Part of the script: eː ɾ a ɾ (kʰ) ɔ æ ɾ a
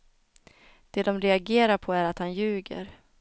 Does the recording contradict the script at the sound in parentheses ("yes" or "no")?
yes